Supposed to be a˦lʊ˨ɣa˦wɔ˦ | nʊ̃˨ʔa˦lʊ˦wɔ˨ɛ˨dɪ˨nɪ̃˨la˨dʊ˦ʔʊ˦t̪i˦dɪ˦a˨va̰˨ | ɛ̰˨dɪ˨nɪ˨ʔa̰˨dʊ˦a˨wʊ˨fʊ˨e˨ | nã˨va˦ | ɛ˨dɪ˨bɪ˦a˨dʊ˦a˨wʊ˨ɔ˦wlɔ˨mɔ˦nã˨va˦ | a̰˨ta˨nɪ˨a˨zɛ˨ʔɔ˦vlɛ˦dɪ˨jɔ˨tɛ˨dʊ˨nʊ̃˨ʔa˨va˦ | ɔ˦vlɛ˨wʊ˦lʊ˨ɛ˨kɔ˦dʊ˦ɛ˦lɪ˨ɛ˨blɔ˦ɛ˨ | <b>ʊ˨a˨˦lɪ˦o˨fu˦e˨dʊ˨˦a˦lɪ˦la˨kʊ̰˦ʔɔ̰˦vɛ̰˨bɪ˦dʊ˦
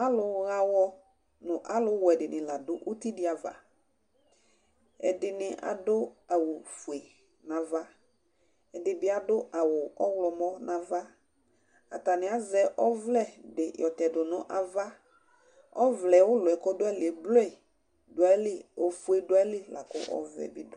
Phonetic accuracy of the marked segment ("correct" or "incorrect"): incorrect